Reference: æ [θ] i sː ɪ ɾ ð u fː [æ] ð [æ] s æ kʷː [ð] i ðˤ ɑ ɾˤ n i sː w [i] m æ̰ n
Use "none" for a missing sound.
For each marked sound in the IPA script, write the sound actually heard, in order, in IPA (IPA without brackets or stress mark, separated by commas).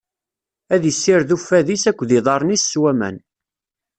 ð, æ, i, ð, æ